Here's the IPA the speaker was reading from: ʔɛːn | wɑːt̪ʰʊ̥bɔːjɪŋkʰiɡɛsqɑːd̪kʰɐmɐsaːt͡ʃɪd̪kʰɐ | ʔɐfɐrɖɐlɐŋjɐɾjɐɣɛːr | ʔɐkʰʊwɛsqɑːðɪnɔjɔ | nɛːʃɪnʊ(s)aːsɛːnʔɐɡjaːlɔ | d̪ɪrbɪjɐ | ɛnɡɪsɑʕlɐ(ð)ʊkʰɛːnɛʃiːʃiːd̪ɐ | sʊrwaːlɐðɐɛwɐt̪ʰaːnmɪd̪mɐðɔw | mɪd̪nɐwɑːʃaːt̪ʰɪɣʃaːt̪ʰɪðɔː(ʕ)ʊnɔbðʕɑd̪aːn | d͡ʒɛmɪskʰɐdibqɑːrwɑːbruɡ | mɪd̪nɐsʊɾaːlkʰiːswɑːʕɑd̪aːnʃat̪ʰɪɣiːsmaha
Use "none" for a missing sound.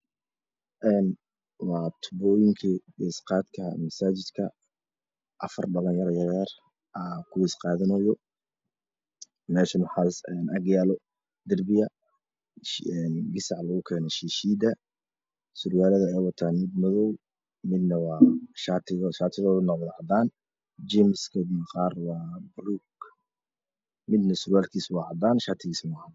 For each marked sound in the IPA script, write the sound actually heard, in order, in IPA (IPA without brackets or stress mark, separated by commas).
ħ, ɣ, ð